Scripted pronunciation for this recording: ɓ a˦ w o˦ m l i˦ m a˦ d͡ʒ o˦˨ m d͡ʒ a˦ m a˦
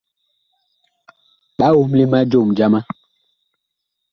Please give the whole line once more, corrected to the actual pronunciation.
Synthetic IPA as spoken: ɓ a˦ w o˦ m l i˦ m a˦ d͡ʒ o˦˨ m d͡ʒ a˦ m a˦

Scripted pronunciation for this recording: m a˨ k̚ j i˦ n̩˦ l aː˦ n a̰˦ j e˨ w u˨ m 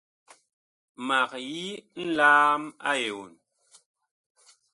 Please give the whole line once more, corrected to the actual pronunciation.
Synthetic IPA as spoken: m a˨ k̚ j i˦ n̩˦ l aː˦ m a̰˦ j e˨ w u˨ n

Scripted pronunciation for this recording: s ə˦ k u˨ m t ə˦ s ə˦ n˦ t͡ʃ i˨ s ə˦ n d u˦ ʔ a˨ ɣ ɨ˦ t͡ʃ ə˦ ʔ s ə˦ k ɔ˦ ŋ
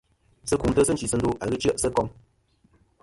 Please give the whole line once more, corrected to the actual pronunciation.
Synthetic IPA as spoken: s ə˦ k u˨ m t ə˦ s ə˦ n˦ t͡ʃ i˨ s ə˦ n d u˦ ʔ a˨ ɣ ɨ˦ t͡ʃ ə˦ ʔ s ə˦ k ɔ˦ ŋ

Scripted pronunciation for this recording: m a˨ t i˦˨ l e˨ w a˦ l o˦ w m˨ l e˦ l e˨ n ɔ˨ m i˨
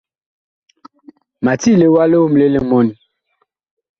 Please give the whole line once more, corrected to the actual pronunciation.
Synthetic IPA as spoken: m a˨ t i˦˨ l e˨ w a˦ l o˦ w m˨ l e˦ l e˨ m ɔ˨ n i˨

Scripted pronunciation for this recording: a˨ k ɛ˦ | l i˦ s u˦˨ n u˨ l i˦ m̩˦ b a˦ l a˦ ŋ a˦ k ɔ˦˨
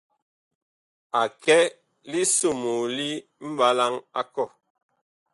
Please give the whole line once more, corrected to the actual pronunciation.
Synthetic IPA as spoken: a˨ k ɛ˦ | l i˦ s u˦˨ m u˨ l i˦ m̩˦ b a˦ l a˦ ŋ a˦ k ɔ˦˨

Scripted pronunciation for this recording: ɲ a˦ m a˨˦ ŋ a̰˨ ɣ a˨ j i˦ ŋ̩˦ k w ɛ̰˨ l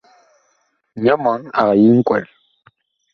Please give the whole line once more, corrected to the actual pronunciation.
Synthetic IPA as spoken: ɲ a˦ m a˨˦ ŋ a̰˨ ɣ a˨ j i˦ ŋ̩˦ k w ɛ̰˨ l

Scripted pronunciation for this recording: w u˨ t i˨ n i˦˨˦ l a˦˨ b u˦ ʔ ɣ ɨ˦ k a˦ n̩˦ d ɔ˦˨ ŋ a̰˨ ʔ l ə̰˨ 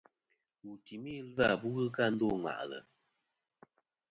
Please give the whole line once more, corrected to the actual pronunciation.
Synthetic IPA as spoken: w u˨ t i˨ m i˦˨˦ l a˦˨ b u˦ ɣ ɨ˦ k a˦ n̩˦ d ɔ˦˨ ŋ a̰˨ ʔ l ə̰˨

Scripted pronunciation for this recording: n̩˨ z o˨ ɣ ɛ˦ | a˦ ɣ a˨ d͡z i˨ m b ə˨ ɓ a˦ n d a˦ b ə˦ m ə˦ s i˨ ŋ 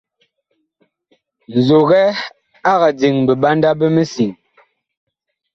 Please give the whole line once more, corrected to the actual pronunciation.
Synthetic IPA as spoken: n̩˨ z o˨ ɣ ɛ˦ | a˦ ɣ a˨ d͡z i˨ ŋ b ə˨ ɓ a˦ n d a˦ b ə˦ m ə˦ s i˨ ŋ

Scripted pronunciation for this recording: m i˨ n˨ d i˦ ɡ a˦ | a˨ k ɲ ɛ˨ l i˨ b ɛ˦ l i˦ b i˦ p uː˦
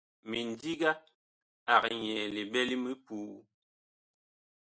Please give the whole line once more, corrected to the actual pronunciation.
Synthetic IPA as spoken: m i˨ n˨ d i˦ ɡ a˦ | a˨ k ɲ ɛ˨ l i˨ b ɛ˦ l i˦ m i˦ p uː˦

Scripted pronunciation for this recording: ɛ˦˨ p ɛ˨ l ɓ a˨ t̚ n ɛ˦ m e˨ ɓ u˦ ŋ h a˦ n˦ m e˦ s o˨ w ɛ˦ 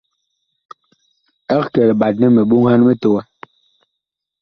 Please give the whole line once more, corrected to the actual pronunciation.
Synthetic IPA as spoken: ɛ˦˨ k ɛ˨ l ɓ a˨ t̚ n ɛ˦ m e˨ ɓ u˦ ŋ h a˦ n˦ m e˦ t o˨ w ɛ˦

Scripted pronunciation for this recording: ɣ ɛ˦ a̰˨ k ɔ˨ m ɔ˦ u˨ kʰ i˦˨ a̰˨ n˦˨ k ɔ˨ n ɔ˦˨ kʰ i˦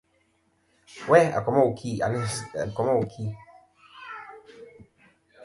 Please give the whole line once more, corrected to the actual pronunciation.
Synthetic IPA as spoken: w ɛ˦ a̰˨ k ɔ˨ m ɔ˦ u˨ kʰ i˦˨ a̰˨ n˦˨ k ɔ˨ m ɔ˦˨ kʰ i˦

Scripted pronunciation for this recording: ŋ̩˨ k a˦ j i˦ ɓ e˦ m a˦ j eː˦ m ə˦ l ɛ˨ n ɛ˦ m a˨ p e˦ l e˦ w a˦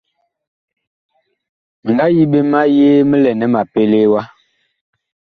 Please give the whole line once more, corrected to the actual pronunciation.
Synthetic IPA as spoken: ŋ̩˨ ɡ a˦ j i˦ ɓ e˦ m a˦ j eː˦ m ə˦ l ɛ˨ n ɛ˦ m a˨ p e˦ l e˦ w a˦

